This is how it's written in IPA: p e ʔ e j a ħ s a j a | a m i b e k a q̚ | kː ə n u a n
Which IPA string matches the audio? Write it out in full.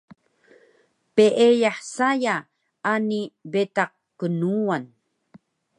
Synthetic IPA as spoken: p e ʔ e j a ħ s a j a | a n i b e t a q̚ | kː ə n u a n